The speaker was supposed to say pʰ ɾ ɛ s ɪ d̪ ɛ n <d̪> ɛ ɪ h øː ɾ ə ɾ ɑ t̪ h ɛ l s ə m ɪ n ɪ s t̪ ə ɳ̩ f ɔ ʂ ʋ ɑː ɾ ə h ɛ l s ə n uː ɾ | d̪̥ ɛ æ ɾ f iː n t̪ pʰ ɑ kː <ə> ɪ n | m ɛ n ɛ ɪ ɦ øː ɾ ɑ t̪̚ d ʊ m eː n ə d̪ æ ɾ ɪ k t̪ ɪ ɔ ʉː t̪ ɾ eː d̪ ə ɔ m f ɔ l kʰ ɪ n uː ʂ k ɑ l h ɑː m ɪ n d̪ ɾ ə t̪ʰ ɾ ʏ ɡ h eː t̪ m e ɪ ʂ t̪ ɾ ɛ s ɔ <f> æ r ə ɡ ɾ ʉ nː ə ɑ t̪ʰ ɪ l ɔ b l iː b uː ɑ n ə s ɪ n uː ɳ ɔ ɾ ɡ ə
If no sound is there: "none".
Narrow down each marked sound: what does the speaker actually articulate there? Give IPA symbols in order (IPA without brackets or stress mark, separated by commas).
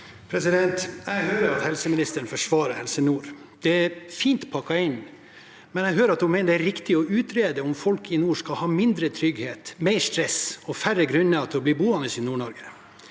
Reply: t̪, ɑ, f